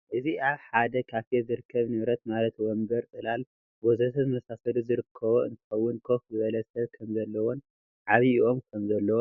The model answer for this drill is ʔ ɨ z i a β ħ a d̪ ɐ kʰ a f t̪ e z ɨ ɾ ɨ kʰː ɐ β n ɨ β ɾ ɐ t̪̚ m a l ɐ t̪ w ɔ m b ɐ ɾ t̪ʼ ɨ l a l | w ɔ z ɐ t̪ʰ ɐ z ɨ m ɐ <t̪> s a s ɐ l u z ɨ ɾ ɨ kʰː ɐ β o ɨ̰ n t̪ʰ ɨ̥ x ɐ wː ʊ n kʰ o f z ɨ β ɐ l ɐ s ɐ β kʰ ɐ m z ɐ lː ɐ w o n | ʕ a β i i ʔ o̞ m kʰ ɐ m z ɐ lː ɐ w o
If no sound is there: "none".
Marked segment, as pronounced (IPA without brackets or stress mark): none